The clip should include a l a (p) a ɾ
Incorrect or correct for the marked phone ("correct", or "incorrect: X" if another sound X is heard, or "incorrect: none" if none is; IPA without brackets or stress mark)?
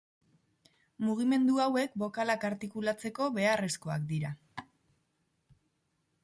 incorrect: k